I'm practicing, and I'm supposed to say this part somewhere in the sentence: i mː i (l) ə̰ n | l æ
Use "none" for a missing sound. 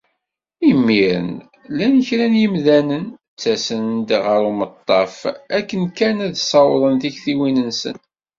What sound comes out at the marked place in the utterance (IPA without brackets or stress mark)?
ɾ